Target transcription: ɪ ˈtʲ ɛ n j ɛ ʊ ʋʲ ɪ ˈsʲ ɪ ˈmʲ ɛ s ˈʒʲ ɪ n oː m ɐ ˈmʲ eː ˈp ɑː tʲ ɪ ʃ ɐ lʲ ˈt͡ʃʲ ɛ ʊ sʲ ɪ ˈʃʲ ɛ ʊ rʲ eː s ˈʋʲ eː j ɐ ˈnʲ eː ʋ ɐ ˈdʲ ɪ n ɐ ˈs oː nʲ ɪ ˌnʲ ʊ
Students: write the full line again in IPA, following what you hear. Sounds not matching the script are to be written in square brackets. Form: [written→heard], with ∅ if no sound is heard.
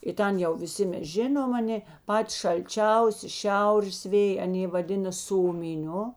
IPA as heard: ɪ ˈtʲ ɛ n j ɛ ʊ ʋʲ ɪ ˈsʲ ɪ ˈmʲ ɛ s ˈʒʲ ɪ n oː m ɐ [ˈmʲ→ˈnʲ] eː ˈp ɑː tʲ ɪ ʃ ɐ lʲ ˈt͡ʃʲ ɛ ʊ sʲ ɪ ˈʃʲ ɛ ʊ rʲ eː s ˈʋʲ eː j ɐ ˈnʲ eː ʋ ɐ ˈdʲ ɪ n ɐ ˈs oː [nʲ→mʲ] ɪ ˌnʲ ʊ